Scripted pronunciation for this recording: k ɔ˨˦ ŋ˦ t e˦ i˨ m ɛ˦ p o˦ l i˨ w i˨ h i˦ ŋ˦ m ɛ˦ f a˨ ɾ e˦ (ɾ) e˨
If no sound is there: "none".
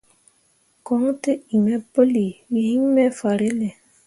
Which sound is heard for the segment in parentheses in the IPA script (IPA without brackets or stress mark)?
l